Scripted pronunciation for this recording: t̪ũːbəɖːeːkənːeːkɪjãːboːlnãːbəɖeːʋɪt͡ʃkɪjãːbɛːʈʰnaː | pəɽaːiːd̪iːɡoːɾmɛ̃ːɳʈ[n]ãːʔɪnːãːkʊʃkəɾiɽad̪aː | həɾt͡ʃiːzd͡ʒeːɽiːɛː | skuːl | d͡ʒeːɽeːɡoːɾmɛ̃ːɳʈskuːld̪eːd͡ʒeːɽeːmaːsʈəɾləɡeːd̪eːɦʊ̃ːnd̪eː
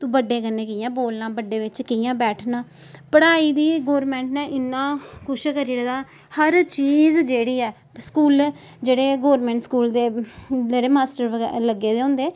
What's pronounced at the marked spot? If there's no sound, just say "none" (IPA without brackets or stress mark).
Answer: n